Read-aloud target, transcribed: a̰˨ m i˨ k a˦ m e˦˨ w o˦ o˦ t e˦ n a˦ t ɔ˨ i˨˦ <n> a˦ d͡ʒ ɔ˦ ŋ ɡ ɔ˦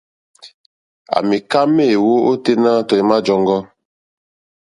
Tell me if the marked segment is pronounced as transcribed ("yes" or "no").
no